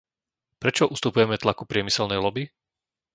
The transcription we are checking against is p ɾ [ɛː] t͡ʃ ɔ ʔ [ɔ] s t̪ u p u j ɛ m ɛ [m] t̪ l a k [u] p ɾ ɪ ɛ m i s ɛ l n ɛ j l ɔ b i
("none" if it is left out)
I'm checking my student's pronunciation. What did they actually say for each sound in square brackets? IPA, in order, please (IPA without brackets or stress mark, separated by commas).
ɛ, u, none, u